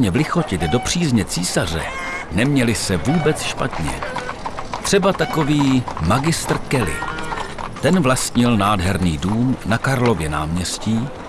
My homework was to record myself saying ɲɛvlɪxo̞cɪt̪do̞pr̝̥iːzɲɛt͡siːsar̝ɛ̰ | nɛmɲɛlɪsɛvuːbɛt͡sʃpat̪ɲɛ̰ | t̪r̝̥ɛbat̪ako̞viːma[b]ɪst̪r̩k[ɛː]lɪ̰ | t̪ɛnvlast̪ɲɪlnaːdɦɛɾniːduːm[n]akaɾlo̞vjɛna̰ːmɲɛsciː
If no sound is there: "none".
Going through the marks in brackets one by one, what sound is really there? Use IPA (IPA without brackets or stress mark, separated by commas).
ɡ, ɛ, n